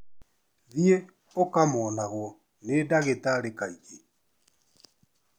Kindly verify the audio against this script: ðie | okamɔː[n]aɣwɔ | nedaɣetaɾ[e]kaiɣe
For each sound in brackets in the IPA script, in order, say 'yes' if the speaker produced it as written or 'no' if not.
yes, yes

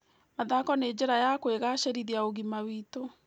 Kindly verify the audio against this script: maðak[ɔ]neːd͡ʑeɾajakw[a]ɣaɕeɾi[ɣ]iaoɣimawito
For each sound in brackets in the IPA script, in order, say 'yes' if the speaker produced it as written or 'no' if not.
yes, no, no

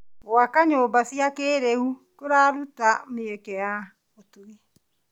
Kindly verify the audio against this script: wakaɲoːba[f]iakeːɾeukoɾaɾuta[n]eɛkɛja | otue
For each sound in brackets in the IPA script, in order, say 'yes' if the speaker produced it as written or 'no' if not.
no, no

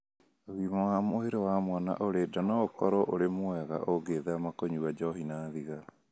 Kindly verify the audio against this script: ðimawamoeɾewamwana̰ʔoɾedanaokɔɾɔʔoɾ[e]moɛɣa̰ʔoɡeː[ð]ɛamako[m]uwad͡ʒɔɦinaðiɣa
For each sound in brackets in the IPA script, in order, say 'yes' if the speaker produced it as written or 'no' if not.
yes, yes, no

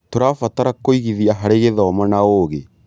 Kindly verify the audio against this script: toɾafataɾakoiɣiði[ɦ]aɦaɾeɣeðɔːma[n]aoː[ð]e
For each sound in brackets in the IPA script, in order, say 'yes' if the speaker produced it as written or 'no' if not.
no, yes, no

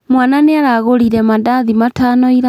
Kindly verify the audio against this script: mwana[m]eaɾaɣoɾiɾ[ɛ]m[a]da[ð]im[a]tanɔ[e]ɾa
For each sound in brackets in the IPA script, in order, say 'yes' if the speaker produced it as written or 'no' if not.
no, yes, yes, yes, yes, no

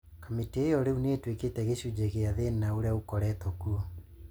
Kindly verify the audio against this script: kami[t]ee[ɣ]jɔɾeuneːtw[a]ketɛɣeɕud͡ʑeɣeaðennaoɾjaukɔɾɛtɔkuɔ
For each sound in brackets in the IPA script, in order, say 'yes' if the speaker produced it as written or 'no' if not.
yes, no, no

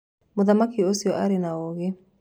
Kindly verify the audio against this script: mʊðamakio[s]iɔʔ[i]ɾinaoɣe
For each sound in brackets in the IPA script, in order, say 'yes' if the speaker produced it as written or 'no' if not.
yes, no

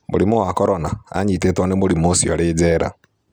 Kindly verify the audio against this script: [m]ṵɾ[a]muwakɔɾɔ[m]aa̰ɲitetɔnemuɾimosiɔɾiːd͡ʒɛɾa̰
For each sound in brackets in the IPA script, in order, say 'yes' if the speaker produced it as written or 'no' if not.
yes, no, no

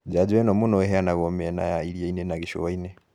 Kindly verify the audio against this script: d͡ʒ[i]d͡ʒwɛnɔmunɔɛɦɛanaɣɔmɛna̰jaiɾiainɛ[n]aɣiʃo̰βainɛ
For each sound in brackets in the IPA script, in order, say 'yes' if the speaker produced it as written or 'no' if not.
no, yes

